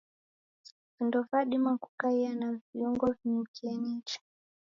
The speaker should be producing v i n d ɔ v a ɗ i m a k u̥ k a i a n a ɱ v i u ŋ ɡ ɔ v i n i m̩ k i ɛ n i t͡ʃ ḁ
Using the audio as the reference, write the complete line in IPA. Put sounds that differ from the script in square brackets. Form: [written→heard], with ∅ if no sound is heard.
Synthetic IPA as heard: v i n d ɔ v a ɗ i m a k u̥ k a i a n a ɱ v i u ŋ ɡ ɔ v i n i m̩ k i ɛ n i t͡ʃ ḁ